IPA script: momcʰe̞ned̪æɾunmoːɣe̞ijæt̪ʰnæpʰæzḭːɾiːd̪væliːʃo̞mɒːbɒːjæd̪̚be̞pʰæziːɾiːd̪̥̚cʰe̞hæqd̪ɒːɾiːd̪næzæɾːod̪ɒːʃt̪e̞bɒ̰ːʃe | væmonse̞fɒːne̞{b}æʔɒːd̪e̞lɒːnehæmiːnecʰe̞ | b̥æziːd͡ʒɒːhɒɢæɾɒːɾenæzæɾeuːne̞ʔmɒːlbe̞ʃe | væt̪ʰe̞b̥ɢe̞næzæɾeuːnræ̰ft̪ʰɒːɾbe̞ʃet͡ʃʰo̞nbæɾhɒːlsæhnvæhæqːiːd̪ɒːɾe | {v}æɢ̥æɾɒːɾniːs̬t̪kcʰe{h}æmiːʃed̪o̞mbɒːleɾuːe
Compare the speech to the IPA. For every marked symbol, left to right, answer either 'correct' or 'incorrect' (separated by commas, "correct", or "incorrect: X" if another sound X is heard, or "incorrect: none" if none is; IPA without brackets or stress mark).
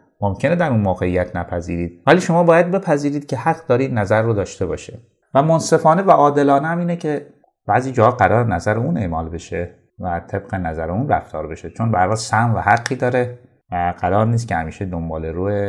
incorrect: v, correct, correct